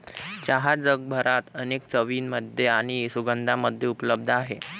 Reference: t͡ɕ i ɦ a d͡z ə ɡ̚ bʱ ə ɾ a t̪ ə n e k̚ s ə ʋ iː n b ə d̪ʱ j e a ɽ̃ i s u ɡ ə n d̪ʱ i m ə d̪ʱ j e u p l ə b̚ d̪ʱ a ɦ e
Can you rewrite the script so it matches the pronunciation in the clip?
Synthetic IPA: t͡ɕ a ɦ a d͡z ə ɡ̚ bʱ ə ɾ a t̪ ə n e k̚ t͡s ə ʋ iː n m ə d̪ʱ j e a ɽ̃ i s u ɡ ə n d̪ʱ a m ə d̪ʱ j e u p l ə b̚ d̪ʱ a ɦ e